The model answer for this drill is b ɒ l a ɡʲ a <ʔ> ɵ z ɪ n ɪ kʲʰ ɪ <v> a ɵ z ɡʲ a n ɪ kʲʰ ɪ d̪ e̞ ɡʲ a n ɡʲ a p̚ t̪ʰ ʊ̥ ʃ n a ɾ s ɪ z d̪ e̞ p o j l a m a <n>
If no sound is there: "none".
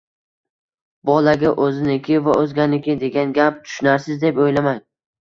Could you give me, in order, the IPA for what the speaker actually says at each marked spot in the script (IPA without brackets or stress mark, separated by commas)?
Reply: ʔ, v, ŋ